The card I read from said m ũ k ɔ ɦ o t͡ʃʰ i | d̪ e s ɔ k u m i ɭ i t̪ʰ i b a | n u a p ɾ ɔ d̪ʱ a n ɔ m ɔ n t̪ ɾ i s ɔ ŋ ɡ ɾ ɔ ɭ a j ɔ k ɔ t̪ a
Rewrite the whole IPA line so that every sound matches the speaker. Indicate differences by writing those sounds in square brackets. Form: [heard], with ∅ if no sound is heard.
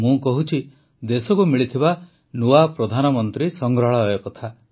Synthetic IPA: m ũ k ɔ ɦ [u] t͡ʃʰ i | d̪ e s ɔ k u m i ɭ i t̪ʰ i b a | n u a p ɾ ɔ d̪ʱ a n ɔ m ɔ n t̪ ɾ i s ɔ ŋ ɡ ɾ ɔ ɭ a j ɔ k ɔ [t̪ʰ] a